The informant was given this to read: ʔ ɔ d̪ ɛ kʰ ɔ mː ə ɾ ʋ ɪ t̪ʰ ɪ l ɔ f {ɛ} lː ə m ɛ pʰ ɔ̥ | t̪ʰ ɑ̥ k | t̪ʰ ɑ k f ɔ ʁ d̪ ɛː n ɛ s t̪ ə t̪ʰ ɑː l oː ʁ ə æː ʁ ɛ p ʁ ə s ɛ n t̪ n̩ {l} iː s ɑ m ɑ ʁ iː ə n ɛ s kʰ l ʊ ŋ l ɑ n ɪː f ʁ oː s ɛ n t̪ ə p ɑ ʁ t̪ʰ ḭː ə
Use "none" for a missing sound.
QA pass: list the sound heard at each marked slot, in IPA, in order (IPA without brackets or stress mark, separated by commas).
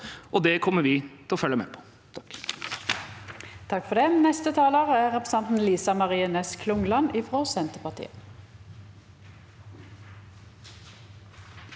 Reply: œ, l